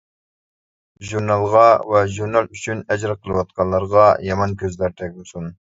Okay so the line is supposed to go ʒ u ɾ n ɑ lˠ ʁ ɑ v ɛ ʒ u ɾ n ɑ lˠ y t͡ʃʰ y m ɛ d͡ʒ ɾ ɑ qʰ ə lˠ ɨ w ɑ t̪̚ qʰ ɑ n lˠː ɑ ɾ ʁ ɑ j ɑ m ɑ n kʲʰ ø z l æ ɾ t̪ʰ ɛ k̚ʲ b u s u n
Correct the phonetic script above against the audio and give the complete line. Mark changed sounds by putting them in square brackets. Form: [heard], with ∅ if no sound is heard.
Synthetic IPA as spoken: ʒ u ɾ n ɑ lˠ ʁ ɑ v ɛ ʒ u ɾ n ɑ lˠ y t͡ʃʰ y [n] ɛ d͡ʒ ɾ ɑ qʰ ə lˠ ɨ w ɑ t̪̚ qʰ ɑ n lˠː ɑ ɾ ʁ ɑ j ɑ m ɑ n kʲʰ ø z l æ ɾ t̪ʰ ɛ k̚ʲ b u s u n